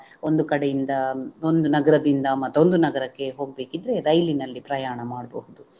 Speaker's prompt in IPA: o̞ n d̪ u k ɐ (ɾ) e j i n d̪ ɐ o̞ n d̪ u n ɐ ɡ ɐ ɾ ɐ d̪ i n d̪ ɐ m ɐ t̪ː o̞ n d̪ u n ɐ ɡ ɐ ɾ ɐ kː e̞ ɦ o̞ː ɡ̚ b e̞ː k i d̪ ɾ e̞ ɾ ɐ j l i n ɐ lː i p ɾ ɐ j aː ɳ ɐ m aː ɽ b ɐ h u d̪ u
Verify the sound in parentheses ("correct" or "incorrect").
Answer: incorrect